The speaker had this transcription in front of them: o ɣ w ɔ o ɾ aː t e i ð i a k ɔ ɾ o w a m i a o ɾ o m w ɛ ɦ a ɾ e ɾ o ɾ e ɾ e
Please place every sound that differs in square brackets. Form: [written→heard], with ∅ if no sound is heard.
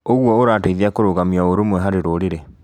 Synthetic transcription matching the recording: o ɣ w ɔ o ɾ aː t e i ð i a k [ɔ→o] ɾ o [w→ɣ] a m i a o ɾ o m w ɛ ɦ a ɾ e ɾ o ɾ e ɾ e